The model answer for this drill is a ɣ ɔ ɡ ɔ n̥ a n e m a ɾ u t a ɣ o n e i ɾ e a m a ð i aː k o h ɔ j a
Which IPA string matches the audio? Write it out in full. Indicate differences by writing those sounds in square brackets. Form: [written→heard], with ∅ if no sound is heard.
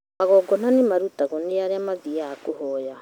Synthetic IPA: a ɣ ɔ ɡ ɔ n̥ a n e m a ɾ u t a ɣ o n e [i→a] ɾ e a m a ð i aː k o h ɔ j a